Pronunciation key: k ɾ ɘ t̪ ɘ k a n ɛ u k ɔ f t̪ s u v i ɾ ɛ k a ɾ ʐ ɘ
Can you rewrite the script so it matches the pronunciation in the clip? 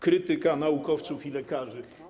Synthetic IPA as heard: k ɾ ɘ t̪ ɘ k a n a u k ɔ f t̪ s u f i l ɛ k a ʐ ɘ